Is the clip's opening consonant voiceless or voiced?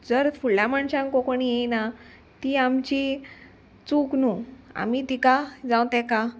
voiced